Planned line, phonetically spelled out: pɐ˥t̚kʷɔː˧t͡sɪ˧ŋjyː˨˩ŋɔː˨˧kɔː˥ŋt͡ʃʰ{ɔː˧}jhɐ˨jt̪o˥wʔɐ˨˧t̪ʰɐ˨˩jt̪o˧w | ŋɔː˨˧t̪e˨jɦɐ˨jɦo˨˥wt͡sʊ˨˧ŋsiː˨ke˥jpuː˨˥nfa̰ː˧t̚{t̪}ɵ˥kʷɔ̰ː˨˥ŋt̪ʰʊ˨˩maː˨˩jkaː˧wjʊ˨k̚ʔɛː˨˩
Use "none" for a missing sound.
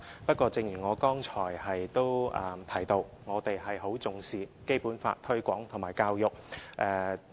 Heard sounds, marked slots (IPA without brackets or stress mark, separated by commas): ɔː˨˩, t̪ʰ